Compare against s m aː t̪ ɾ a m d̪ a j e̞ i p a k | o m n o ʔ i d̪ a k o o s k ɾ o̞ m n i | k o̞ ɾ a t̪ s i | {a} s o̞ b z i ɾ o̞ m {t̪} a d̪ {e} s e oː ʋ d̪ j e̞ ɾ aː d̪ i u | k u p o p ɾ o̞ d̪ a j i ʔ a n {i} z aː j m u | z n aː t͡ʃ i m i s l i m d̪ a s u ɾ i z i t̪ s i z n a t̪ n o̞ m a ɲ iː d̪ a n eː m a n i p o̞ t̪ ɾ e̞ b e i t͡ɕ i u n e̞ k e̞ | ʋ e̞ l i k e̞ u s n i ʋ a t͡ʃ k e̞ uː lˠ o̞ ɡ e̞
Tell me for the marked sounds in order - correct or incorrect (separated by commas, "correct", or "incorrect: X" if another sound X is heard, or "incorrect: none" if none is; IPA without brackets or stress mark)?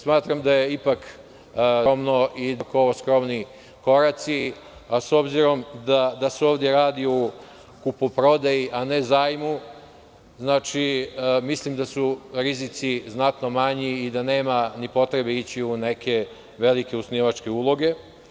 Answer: correct, incorrect: d̪, incorrect: a, incorrect: e